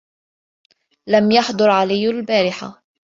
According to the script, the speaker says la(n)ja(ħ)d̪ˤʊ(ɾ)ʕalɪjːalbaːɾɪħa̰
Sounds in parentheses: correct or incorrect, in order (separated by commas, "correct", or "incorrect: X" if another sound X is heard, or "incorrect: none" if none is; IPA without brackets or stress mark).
incorrect: m, correct, correct